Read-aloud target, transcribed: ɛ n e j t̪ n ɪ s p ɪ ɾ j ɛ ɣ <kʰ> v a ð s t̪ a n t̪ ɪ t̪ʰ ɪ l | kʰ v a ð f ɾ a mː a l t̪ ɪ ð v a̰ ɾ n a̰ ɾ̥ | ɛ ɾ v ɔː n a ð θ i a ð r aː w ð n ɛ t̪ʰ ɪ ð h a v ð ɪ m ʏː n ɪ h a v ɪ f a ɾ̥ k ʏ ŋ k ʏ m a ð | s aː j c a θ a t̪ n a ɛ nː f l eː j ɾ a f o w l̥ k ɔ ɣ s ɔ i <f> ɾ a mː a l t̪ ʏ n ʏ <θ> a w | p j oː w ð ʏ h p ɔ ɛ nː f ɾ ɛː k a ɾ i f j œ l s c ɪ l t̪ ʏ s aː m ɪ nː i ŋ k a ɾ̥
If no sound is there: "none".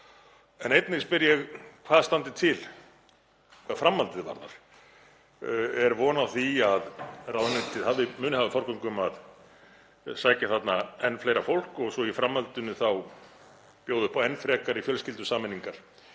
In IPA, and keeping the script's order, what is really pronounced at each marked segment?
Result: kʰ, f, θ

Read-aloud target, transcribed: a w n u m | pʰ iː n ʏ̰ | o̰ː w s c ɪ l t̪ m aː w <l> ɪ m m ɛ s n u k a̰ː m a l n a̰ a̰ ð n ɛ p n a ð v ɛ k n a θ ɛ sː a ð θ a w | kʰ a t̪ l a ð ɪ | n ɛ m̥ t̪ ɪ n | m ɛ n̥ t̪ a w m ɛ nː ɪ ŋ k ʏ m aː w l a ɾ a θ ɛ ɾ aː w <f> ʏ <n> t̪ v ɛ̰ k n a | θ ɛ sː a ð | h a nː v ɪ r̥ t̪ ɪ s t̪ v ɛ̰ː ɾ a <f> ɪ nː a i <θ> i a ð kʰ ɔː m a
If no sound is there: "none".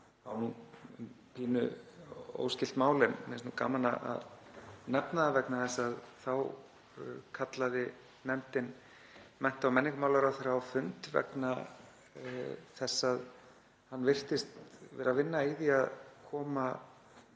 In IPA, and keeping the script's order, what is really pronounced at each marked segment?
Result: l, f, n, v, ð

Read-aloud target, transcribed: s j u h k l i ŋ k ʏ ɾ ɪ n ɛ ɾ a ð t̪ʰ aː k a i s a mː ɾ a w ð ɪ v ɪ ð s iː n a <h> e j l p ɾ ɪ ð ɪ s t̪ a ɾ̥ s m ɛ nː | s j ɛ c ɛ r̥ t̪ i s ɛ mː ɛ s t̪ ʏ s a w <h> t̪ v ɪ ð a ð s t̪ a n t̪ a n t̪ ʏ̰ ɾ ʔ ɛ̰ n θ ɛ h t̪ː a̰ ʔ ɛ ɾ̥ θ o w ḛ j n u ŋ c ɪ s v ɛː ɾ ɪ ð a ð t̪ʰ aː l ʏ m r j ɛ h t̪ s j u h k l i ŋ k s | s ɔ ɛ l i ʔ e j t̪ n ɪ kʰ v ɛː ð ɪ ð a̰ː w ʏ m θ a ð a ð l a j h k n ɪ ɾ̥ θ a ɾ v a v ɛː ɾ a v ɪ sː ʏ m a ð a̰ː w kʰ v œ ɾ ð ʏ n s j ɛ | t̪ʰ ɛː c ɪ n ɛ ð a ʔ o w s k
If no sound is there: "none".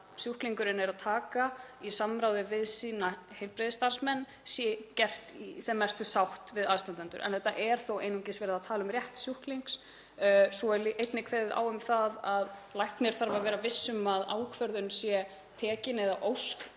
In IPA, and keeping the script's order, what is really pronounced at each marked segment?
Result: h, h

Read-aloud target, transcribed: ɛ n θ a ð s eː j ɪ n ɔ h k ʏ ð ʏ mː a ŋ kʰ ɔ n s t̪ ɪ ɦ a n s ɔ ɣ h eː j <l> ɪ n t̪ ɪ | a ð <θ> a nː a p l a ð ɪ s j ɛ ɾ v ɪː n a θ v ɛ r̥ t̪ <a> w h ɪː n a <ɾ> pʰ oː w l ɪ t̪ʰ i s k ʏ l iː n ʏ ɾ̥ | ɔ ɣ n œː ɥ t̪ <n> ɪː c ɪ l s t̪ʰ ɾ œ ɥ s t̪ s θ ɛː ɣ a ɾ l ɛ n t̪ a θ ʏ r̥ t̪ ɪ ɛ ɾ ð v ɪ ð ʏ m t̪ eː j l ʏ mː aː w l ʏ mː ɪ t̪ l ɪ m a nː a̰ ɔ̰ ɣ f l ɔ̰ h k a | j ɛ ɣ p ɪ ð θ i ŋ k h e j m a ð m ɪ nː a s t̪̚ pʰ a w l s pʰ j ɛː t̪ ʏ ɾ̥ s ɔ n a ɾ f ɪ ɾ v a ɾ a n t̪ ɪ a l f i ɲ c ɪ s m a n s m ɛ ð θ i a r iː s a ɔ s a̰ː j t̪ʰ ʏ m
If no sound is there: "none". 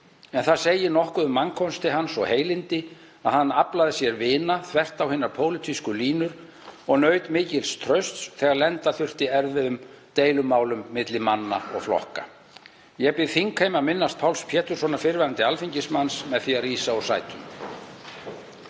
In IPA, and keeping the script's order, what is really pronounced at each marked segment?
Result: l, h, a, ɾ, m

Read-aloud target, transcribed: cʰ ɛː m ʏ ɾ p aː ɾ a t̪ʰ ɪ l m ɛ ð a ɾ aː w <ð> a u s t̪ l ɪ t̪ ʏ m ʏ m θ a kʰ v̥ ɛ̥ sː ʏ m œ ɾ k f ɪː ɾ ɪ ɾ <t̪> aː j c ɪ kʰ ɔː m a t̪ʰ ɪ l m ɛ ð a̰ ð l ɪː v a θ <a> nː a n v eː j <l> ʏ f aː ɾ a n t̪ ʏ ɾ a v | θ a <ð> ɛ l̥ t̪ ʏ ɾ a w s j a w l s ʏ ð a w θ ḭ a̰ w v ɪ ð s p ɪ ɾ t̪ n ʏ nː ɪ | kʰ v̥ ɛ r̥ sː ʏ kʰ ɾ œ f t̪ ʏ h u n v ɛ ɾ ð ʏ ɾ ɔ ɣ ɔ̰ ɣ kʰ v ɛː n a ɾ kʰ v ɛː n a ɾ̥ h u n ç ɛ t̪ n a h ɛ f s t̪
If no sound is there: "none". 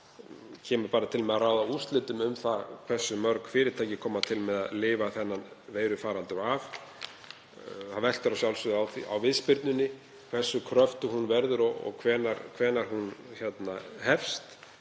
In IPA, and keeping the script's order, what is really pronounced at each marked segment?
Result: ð, t̪ʰ, ɛ, ɾ, v

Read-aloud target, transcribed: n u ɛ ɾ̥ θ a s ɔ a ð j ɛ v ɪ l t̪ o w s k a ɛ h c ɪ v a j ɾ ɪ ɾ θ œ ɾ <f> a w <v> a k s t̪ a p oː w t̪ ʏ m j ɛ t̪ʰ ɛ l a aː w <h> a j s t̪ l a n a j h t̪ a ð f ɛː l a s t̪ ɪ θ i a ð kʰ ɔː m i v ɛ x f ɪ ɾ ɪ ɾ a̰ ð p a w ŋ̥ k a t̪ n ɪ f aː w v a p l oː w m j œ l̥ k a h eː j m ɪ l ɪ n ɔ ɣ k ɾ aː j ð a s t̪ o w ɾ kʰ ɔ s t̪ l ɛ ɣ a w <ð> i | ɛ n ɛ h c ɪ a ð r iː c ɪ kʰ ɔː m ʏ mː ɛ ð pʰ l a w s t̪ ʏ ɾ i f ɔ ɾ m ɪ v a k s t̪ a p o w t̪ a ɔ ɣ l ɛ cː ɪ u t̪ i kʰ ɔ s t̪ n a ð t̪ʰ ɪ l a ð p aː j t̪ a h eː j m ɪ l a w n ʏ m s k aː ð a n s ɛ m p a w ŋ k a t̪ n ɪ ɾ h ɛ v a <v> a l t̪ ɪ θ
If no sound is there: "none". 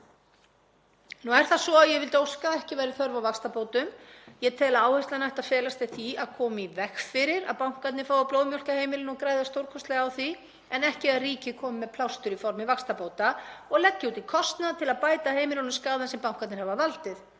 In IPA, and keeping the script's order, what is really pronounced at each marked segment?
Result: v, v, h, θ, v

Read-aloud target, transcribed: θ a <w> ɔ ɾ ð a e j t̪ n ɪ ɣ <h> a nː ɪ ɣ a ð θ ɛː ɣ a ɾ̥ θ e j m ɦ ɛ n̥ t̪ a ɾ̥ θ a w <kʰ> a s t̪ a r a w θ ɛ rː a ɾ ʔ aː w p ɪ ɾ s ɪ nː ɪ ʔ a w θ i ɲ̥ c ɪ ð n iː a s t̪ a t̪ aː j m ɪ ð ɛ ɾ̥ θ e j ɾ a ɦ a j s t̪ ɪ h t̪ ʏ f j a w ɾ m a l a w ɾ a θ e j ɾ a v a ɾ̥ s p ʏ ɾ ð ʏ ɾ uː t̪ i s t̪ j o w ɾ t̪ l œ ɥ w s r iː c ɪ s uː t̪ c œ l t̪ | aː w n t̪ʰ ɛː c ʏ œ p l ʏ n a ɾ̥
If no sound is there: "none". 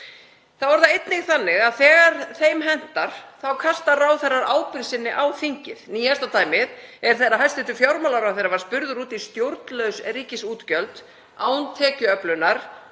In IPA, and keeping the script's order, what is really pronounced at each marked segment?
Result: v, θ, kʰ

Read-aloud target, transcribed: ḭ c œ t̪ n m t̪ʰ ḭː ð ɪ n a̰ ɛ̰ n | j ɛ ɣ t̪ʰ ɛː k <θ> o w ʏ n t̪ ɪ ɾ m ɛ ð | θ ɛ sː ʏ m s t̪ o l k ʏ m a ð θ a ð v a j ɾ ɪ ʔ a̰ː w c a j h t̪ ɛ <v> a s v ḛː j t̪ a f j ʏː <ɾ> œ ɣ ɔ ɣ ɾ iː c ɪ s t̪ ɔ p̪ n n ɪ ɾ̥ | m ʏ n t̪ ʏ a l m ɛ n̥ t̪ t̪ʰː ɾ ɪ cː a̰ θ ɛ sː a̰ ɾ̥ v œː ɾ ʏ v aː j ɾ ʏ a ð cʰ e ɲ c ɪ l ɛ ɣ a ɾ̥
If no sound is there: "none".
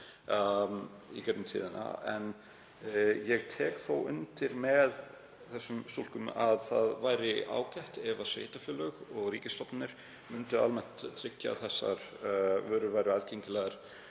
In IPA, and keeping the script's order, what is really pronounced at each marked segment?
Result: θ, v, l

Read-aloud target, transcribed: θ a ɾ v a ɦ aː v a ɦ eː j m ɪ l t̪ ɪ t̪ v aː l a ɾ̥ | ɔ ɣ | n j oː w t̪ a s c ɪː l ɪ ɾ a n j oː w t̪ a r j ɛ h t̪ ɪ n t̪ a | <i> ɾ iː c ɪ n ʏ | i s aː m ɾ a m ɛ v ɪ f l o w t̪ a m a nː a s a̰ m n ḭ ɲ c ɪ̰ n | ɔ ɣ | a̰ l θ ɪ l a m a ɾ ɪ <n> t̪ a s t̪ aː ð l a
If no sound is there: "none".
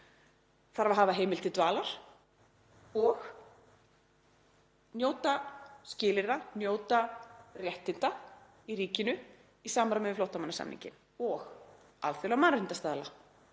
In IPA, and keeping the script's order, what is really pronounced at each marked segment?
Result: i, n

